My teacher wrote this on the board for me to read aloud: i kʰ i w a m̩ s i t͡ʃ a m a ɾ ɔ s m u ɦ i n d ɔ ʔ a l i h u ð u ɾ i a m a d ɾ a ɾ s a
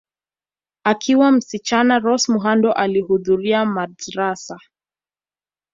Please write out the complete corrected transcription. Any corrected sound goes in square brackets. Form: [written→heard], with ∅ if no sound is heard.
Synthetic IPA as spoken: [i→a] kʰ i w a m̩ s i t͡ʃ a [m→n] a ɾ ɔ s m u ɦ [i→a] n d ɔ ʔ a l i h u ð u ɾ i a m a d ɾ a [ɾ→∅] s a